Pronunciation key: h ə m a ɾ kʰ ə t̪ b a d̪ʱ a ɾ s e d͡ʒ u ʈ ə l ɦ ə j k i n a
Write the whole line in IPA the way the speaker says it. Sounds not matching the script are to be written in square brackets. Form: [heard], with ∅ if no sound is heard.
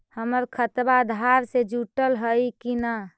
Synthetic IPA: h ə m [ə] ɾ kʰ ə t̪ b a d̪ʱ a ɾ s e d͡ʒ u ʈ ə l ɦ ə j k i n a